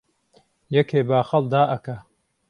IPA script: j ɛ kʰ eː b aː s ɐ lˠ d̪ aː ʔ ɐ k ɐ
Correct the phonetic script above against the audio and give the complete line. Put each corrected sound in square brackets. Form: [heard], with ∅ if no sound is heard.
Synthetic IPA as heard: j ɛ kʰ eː b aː [x] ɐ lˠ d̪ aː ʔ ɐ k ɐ